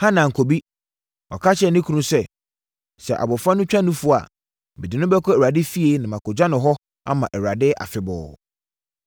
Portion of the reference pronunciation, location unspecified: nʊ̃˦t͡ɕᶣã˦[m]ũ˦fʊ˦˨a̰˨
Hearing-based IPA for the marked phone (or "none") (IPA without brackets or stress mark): n